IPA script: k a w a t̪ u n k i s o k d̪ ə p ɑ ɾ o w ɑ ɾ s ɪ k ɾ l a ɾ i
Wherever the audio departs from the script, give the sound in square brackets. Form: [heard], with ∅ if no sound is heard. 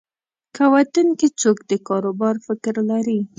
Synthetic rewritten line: k a w a t̪ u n k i [t͡s] o k d̪ ə [k] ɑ ɾ o [b] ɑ ɾ [f] ɪ k ɾ l a ɾ i